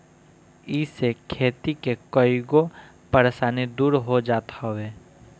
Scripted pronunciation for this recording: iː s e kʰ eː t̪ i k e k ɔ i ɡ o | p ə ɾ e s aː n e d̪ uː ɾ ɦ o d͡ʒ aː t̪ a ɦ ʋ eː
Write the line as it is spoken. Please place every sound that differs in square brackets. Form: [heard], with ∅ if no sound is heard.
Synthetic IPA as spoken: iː s e kʰ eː t̪ i k e k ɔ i ɡ o | p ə ɾ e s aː n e d̪ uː ɾ ɦ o d͡ʒ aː t̪ a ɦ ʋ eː